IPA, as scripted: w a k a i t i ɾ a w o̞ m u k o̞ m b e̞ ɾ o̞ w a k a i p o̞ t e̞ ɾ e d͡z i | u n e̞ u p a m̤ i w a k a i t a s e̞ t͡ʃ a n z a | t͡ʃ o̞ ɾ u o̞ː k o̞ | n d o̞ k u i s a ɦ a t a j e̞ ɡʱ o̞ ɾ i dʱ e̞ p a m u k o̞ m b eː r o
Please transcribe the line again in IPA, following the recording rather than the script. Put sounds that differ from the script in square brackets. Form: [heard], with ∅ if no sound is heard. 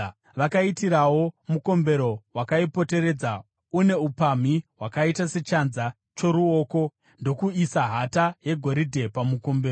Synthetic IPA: [ʋ] a k a i t i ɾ a w o̞ m u k o̞ m b e̞ ɾ o̞ w a k a i p o̞ t e̞ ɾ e d͡z [a] | u n e̞ u p a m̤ i w a k a i t a s e̞ t͡ʃ a n z a | t͡ʃ o̞ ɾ u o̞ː k o̞ | n d o̞ k u i s a ɦ a t a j e̞ ɡʱ o̞ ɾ i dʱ e̞ p a m u k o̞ m b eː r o